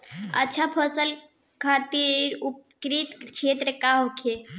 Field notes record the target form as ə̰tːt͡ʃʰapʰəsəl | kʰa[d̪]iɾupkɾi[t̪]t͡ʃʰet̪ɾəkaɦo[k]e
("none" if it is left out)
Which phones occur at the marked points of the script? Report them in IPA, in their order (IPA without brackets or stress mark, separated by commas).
t̪, t̪, kʰ